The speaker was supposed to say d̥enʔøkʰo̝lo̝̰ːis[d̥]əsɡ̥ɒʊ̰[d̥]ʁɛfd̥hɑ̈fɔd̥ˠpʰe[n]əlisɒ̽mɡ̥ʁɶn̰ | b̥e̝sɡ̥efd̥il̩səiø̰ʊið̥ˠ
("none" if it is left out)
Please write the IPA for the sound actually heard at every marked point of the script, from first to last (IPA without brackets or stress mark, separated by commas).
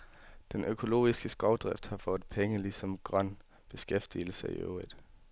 ɡ̥, d̥, ŋ